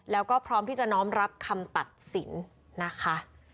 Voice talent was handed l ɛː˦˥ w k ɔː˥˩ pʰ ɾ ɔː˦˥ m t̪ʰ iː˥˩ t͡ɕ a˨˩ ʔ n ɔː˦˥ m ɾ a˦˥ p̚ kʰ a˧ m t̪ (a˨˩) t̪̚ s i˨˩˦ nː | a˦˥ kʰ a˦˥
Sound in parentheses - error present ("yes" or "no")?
no